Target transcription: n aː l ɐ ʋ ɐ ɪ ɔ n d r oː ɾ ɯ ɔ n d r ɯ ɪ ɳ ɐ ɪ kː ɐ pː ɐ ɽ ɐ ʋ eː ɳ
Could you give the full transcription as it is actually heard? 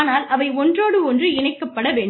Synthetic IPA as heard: n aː l ɐ ʋ ɐ ɪ ɔ n d r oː ɽ ɯ ɔ n d r ɯ ɪ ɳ ɐ ɪ kː ɐ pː ɐ ɽ ɐ ʋ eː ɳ